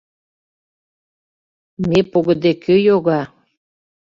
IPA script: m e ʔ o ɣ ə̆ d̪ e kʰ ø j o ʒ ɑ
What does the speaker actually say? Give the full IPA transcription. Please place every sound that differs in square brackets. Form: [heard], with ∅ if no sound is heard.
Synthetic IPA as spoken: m e [p] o ɣ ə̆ d̪ e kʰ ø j o [ɣ] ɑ